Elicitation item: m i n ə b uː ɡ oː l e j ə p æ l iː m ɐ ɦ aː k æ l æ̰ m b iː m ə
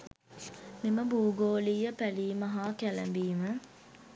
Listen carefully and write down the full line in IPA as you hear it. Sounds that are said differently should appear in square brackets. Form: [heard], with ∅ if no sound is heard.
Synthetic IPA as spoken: m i [m] ə b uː ɡ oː l [i] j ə p æ l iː m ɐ ɦ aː k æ l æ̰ m b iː m ə